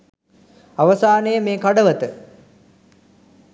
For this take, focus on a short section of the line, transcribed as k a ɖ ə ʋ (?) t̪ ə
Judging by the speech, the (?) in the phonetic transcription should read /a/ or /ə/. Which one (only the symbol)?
ə